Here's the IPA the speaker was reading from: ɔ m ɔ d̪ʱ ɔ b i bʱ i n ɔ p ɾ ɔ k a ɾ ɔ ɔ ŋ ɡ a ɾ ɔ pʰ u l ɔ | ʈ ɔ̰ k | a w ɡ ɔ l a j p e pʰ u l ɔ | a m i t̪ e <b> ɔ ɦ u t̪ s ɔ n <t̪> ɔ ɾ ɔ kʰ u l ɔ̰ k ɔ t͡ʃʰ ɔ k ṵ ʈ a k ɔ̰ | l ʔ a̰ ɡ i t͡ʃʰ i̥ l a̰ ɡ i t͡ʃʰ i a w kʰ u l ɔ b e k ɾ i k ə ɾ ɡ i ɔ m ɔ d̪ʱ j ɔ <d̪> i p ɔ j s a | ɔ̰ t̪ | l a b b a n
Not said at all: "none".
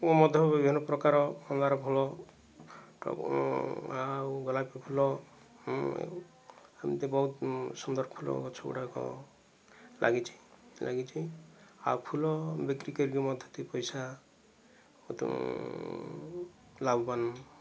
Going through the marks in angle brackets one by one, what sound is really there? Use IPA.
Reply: b, d̪, t̪

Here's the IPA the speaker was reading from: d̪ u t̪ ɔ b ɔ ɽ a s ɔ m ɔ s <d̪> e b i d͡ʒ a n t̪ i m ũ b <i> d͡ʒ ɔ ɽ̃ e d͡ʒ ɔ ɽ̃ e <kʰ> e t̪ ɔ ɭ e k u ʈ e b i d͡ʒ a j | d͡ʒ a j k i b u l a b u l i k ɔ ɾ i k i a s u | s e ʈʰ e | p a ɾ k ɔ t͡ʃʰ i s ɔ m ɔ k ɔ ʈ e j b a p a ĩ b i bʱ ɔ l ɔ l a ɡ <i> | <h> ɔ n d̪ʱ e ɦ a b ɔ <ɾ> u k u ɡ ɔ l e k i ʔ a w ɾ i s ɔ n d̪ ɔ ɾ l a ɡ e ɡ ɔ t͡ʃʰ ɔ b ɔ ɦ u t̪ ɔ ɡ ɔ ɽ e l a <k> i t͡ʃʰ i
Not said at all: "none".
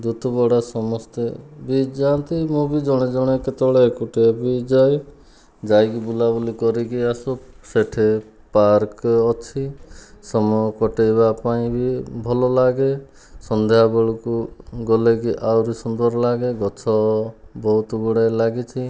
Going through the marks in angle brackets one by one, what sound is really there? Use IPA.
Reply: t̪, i, k, e, s, ɭ, ɡ

